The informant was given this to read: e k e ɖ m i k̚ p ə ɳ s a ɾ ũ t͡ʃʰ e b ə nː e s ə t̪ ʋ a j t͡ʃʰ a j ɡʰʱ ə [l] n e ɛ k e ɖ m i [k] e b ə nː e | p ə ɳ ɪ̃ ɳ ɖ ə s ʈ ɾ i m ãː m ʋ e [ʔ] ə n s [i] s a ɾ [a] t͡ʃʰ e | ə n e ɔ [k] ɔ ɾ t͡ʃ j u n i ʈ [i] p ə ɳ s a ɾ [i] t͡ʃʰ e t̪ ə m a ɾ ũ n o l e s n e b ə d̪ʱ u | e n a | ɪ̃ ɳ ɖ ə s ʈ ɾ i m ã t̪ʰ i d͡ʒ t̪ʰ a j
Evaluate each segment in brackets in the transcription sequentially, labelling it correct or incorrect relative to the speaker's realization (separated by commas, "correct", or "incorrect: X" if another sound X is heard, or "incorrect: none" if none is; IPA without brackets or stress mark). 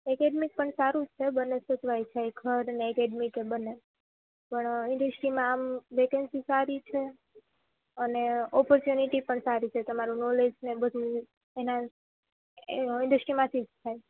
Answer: incorrect: ɾ, correct, incorrect: k, correct, incorrect: i, incorrect: p, correct, correct